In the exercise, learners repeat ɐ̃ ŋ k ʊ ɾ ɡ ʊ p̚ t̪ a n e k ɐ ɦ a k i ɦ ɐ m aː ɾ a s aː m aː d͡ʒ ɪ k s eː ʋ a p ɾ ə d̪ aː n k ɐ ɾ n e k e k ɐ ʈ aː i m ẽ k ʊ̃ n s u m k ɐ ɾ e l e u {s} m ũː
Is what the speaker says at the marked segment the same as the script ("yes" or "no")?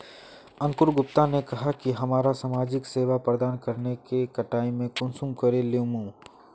no